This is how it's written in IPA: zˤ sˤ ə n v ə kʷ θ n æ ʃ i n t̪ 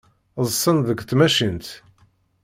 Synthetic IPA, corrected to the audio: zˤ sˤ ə n ð ə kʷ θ m æ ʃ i n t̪